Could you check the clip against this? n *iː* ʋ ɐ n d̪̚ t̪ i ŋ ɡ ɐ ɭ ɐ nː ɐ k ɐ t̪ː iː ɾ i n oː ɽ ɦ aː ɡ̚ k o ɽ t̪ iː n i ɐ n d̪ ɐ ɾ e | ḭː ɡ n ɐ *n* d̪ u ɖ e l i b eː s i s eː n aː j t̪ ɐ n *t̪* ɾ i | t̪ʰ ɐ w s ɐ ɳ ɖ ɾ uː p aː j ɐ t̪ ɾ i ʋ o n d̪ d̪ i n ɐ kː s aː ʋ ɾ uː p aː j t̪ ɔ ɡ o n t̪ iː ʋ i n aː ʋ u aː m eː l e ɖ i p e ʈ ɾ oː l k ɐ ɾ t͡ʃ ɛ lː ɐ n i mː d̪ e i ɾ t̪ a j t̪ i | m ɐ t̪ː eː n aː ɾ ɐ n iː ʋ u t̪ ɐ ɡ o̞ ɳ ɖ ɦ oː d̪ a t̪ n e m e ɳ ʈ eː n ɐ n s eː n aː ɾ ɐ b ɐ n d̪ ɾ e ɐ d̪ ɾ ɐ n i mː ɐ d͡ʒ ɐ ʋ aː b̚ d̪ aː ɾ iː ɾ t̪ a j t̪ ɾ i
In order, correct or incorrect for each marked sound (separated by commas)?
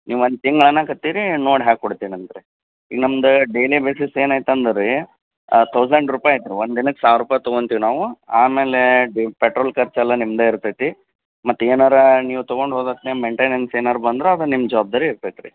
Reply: correct, incorrect, incorrect